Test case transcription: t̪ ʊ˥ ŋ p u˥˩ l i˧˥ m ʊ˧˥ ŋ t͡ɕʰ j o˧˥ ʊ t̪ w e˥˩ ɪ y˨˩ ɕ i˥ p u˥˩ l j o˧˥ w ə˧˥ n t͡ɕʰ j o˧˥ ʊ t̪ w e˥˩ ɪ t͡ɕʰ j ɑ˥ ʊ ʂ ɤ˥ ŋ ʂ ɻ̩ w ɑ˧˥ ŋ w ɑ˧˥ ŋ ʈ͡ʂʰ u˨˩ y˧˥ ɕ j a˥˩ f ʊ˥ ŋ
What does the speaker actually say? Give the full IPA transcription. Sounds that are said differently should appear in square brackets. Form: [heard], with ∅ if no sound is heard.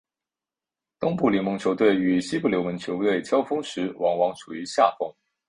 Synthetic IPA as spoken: t̪ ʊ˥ ŋ p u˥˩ l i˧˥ m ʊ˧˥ ŋ t͡ɕʰ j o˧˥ ʊ t̪ w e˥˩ ɪ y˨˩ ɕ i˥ p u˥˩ l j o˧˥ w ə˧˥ n t͡ɕʰ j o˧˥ ʊ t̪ w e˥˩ ɪ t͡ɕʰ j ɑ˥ ʊ [f] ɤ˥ ŋ ʂ ɻ̩ w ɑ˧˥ ŋ w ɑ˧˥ ŋ ʈ͡ʂʰ u˨˩ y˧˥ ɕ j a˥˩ f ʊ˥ ŋ